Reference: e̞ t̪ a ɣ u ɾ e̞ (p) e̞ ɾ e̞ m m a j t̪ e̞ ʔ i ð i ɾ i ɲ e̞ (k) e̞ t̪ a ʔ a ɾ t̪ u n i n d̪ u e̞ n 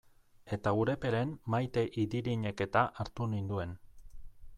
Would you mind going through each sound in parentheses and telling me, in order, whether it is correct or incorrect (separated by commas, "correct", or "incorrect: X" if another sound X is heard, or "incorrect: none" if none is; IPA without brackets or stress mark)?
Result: correct, correct